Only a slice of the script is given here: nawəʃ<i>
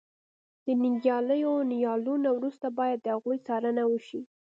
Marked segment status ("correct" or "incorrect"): correct